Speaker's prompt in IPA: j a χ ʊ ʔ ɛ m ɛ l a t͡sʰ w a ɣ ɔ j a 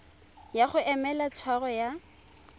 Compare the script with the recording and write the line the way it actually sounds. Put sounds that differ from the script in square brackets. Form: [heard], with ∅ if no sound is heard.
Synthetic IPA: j a χ ʊ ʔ ɛ m ɛ l a t͡sʰ w a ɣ ɔ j a